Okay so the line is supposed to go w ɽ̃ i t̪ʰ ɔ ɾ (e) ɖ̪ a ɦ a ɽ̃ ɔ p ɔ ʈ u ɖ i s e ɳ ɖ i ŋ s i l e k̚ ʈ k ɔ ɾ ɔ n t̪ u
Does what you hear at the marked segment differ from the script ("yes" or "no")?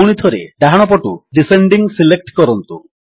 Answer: no